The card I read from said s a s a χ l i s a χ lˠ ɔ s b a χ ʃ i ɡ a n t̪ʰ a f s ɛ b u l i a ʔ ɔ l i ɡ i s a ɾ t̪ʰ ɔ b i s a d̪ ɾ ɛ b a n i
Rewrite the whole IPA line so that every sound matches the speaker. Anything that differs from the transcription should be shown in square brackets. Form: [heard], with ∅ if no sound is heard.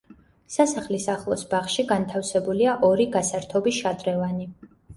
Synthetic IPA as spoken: s a s a χ l i s a χ lˠ ɔ s b a χ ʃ i ɡ a n t̪ʰ a f s ɛ b u l i a ʔ ɔ [ɾ] i ɡ [a] s a ɾ t̪ʰ ɔ b i [ʃ] a d̪ ɾ ɛ [v] a n i

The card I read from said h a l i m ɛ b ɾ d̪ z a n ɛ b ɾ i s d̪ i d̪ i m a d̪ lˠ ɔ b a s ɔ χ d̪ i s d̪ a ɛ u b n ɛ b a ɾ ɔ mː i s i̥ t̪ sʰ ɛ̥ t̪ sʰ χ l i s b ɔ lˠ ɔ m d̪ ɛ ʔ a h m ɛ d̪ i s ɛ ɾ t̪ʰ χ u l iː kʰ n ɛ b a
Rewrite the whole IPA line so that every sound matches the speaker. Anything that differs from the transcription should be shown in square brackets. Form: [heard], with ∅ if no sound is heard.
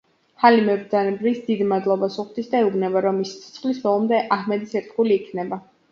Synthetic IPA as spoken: h a l i m ɛ b ɾ d̪ z a n ɛ b ɾ i s d̪ i d̪ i m a d̪ lˠ ɔ b a s [u] χ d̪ i s d̪ a ɛ u b n ɛ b a ɾ ɔ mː i s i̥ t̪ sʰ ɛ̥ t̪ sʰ χ l i s b ɔ lˠ ɔ m d̪ ɛ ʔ a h m ɛ d̪ i s ɛ ɾ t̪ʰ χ u l iː kʰ n ɛ b a

